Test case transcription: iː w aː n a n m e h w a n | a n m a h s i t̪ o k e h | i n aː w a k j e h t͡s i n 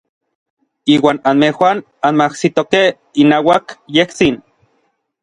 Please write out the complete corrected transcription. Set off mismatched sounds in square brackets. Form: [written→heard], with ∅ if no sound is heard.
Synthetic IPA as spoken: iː w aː n a n m e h w a n | a n m a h s i t̪ o k e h | i n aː w a k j e h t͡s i n